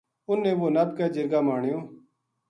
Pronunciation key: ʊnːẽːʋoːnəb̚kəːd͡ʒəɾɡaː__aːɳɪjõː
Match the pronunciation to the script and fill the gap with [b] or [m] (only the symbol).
m